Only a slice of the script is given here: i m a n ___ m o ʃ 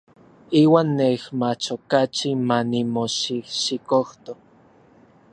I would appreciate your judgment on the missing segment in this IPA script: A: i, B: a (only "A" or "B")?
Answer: A